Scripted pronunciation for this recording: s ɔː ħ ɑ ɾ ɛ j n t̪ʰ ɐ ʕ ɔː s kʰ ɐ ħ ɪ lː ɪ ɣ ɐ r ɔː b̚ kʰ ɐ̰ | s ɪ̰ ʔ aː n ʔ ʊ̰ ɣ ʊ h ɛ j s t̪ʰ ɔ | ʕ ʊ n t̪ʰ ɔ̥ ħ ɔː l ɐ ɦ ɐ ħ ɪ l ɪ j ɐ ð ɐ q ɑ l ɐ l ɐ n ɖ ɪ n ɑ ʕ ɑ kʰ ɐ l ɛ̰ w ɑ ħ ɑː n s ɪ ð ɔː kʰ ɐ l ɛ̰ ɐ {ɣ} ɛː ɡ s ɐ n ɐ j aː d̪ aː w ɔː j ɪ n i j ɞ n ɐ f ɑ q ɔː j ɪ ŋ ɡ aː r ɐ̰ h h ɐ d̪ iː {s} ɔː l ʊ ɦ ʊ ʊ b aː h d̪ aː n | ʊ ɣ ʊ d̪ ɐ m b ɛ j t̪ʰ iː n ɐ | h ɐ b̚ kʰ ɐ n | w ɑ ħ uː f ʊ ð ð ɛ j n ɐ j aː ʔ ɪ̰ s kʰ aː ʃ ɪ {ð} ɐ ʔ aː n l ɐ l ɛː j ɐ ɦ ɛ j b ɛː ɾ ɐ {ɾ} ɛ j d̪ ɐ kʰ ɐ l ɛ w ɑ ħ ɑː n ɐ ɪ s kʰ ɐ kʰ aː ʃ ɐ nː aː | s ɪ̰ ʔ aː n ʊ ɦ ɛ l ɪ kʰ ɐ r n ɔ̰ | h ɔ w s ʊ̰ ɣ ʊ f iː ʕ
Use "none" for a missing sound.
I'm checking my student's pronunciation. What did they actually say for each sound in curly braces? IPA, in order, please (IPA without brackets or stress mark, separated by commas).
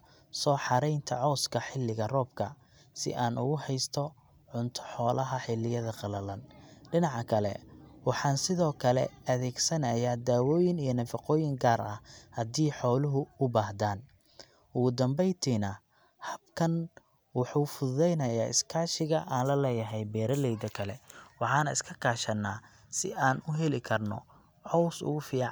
ð, ħ, ɣ, l